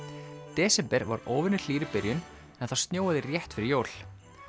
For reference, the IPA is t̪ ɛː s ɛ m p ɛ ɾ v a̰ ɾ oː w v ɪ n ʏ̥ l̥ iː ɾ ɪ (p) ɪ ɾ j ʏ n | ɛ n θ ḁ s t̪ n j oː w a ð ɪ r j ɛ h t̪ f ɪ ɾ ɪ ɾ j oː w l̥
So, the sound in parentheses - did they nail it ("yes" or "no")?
yes